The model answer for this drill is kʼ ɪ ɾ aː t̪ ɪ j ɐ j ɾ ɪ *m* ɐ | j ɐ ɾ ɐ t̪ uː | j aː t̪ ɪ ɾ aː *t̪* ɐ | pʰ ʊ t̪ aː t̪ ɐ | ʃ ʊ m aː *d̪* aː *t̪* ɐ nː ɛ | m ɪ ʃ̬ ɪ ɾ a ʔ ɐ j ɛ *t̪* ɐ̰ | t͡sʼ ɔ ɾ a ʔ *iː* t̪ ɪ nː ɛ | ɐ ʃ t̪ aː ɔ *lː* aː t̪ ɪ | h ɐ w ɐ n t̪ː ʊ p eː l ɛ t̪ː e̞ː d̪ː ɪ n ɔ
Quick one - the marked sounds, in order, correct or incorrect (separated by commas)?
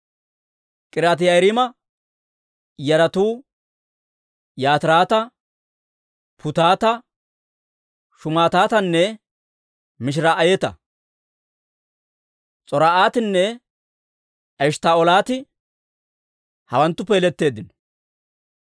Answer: correct, correct, incorrect, correct, correct, incorrect, incorrect